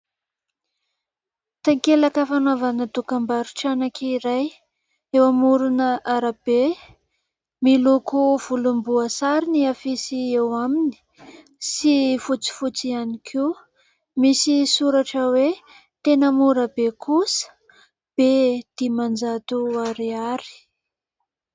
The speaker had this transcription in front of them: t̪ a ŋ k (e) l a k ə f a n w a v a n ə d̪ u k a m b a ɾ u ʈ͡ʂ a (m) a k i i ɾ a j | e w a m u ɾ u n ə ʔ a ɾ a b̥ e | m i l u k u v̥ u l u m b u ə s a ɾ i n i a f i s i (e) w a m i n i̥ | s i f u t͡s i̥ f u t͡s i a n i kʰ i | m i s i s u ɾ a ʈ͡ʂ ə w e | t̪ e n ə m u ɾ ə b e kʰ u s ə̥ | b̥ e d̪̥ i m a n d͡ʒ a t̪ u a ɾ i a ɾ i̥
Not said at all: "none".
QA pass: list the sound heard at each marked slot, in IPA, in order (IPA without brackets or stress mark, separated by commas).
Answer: e, n, e